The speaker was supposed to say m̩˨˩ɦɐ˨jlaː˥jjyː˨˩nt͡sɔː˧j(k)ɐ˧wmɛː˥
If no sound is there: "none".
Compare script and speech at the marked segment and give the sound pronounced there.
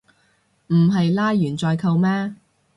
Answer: kʰ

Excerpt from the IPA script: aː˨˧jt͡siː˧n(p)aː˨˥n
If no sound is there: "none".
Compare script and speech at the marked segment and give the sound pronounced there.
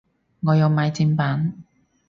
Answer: p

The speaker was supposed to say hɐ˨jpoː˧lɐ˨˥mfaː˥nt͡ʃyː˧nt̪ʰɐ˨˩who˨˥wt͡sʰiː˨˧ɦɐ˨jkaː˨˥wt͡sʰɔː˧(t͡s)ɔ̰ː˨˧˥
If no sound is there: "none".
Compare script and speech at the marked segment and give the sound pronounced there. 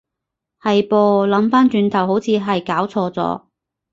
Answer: t͡s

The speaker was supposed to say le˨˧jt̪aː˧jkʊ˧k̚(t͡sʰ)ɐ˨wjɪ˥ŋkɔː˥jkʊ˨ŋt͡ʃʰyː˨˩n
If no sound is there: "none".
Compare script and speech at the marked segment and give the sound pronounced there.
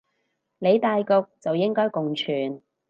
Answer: t͡s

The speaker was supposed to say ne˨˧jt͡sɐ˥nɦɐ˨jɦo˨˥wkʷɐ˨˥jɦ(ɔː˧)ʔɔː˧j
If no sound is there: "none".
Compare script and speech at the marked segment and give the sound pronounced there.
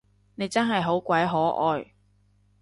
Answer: ɔː˨˥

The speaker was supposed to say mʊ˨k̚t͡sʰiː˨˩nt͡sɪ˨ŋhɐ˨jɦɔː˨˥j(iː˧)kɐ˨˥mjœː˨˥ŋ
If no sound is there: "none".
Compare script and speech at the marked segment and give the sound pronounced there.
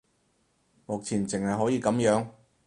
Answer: iː˧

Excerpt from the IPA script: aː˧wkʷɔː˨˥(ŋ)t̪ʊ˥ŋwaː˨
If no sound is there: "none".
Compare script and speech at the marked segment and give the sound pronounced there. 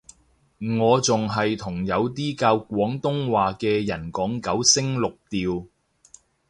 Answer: ŋ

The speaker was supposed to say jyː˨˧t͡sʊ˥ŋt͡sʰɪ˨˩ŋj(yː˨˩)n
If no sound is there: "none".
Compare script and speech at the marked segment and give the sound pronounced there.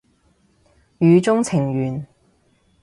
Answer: yː˨˩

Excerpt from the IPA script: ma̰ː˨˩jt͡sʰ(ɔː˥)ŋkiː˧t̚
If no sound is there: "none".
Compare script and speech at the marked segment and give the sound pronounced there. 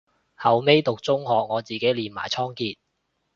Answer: ɔː˥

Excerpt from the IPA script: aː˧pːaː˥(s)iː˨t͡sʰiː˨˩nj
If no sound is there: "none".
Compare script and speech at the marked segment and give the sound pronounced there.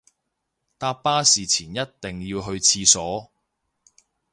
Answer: s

